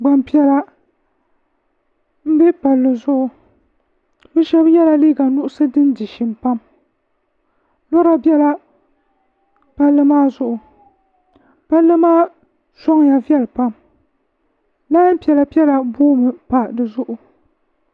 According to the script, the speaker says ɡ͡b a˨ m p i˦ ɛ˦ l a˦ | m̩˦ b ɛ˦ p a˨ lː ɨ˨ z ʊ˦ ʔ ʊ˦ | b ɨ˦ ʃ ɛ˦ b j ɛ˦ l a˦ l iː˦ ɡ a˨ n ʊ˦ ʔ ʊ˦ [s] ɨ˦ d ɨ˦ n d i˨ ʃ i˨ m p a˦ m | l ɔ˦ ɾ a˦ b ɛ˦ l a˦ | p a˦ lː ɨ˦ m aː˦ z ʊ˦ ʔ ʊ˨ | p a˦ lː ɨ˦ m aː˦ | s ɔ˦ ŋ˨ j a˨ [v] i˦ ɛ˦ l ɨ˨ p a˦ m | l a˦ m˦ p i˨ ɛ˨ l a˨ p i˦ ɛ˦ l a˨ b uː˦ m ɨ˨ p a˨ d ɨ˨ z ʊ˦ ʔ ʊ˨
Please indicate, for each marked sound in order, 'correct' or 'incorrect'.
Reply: correct, correct

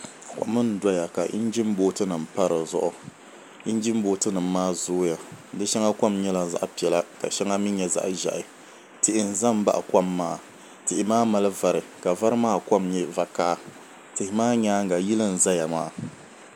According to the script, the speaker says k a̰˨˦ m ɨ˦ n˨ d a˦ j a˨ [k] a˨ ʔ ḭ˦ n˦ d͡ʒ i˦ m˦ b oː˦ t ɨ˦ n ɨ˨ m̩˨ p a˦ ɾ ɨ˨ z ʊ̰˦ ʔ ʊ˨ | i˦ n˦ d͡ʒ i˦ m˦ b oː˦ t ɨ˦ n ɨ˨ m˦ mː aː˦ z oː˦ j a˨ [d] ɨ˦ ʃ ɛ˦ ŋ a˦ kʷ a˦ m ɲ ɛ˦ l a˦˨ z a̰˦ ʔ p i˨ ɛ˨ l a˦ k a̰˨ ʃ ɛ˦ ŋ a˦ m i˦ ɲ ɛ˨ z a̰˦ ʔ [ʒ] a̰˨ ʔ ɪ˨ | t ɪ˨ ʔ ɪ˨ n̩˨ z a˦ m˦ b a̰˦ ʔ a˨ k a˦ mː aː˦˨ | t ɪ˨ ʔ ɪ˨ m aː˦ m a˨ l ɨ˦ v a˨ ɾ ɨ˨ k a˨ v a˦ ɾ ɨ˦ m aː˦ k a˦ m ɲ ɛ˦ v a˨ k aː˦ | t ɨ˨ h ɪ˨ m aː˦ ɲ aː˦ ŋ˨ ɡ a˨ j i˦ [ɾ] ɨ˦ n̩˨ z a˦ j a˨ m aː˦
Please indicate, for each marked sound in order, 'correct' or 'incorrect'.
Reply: correct, correct, correct, incorrect

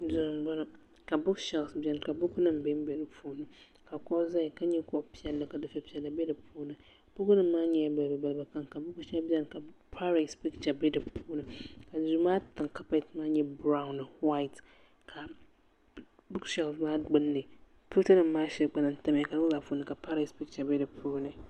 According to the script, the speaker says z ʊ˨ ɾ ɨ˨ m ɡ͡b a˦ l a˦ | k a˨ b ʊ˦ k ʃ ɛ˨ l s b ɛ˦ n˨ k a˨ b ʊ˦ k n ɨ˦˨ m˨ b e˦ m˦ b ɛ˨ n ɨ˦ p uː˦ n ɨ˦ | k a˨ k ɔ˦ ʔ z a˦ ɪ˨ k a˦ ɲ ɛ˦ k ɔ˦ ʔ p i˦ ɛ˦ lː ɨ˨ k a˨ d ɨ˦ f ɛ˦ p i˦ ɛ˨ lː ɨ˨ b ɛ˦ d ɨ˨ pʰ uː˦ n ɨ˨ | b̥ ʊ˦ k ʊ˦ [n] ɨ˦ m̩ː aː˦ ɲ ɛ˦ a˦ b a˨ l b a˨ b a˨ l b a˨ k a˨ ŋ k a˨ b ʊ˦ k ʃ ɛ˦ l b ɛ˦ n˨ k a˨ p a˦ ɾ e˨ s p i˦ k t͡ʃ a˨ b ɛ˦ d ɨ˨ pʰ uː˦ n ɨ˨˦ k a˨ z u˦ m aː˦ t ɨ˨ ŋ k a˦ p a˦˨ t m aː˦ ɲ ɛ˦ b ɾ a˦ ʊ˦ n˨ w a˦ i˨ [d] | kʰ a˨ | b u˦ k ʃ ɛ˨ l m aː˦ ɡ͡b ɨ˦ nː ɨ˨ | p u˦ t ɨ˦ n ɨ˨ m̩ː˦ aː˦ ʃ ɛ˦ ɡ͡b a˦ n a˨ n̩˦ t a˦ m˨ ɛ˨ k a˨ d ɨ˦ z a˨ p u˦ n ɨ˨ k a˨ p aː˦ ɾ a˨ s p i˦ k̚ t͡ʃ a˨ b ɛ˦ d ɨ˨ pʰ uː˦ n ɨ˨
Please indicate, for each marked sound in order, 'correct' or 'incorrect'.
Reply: correct, incorrect

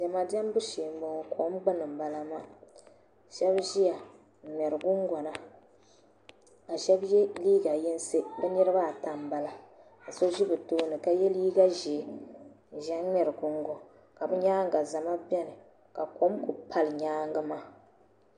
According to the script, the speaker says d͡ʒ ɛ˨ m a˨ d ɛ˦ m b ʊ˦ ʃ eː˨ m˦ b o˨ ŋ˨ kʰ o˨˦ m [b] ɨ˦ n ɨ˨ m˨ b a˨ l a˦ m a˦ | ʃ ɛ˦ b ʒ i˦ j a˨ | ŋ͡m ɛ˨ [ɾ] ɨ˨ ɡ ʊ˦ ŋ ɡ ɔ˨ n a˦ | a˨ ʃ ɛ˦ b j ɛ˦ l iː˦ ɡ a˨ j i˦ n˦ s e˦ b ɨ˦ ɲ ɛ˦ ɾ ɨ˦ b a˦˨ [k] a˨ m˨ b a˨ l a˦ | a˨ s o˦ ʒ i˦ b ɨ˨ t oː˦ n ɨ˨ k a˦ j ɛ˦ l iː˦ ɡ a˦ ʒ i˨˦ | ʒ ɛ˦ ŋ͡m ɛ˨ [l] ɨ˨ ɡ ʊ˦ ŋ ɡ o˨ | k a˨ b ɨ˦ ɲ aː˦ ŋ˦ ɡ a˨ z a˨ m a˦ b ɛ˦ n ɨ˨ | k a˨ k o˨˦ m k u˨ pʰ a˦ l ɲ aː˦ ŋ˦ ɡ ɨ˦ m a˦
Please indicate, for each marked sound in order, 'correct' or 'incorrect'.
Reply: incorrect, correct, incorrect, incorrect

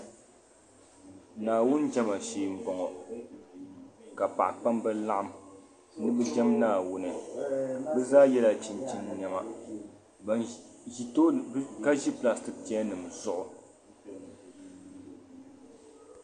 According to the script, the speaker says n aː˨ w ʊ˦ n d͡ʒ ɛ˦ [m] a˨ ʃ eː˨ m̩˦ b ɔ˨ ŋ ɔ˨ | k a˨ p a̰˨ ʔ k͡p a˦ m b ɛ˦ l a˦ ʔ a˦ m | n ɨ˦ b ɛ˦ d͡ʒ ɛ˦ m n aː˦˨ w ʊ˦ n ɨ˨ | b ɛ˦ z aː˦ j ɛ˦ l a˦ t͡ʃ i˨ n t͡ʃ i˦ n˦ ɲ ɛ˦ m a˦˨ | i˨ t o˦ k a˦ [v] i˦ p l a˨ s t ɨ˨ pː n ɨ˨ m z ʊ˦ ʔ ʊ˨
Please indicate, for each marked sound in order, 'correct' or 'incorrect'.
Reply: correct, incorrect

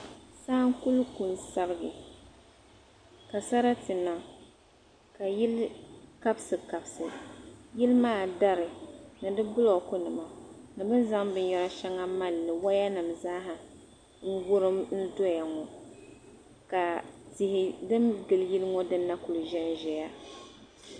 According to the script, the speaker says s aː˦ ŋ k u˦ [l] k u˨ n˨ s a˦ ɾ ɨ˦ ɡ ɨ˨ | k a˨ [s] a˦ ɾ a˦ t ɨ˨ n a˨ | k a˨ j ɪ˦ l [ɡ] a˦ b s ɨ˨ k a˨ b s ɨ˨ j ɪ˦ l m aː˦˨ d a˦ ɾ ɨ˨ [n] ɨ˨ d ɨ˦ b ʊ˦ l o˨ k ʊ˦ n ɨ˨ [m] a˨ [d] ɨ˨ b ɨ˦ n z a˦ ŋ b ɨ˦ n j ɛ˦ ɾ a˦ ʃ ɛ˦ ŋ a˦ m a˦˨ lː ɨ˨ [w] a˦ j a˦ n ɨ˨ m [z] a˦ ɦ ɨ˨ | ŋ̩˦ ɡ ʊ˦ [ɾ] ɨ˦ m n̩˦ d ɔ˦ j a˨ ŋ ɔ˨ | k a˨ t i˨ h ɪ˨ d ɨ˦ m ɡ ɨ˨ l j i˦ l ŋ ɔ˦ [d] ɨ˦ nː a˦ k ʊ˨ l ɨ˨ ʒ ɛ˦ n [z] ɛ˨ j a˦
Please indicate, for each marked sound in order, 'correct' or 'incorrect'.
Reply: correct, correct, incorrect, correct, correct, incorrect, correct, correct, correct, correct, incorrect

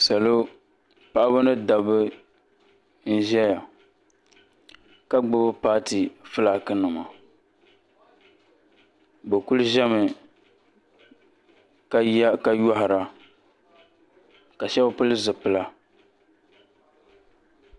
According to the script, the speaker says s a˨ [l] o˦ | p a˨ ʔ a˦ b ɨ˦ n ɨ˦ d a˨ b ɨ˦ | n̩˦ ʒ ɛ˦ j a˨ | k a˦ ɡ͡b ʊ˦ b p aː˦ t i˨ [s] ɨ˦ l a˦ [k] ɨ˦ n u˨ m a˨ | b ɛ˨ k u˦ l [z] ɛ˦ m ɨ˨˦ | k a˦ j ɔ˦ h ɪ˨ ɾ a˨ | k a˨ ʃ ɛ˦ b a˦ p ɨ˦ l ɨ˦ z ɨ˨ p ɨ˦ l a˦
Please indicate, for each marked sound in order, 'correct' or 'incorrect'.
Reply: correct, incorrect, correct, incorrect

